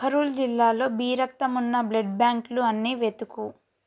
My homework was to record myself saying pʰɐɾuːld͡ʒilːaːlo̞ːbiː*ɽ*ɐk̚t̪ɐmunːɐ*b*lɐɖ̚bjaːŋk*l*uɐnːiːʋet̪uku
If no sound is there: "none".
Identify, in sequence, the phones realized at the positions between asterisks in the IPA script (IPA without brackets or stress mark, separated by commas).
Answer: ɾ, b, l